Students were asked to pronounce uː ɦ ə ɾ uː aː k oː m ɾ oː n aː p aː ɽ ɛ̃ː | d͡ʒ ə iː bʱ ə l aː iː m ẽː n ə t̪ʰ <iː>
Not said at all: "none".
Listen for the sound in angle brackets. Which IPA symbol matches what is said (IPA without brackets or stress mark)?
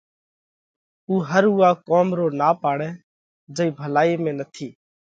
iː